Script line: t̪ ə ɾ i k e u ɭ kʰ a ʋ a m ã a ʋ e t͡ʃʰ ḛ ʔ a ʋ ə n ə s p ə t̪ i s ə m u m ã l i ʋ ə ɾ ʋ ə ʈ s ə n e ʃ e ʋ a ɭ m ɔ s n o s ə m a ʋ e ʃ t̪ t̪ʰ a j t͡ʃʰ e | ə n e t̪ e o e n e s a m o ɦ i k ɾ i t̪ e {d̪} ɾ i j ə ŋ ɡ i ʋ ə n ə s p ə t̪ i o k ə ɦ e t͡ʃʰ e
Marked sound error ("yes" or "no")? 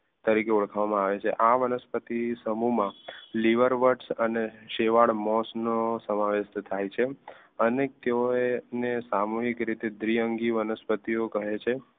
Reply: no